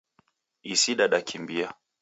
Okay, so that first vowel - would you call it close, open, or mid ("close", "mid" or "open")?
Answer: close